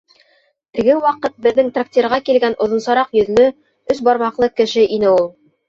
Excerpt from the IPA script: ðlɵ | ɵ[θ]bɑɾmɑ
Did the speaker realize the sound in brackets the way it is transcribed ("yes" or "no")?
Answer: no